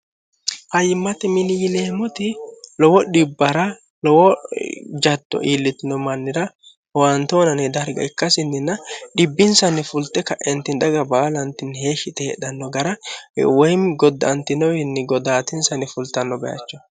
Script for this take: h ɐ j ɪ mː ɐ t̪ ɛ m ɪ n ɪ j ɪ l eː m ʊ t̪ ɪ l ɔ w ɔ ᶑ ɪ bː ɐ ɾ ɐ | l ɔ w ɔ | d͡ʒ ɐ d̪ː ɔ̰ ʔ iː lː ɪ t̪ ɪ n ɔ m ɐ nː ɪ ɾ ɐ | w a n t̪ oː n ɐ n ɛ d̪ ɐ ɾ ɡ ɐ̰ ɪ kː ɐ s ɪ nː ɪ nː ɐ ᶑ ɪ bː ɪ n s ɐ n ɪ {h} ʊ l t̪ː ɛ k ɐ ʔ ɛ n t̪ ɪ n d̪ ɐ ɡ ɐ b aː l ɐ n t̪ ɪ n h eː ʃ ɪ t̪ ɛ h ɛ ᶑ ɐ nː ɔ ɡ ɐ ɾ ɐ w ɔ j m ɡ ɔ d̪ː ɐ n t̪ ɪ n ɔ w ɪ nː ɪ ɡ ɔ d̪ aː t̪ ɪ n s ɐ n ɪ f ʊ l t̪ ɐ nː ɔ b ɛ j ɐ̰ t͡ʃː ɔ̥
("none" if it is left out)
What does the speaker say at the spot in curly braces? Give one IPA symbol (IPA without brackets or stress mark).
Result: f